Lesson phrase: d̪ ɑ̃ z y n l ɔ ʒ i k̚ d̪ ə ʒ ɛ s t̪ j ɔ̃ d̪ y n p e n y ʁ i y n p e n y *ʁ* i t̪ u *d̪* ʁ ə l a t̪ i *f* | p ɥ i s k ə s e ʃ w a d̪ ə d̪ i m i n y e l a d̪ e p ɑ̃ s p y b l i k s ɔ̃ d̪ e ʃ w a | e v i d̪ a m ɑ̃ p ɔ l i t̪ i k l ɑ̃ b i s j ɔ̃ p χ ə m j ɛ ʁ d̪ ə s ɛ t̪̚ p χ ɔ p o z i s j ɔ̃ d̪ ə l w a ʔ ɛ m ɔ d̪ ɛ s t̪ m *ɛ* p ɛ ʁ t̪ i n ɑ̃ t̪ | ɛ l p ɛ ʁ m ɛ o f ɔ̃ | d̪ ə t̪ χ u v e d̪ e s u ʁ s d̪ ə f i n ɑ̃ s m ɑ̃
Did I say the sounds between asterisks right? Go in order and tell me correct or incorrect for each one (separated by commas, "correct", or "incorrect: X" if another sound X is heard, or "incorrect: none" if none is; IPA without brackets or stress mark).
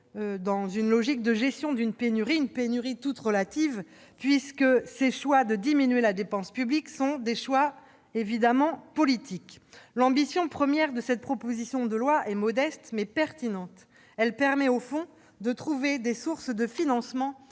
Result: correct, incorrect: t̪, incorrect: v, correct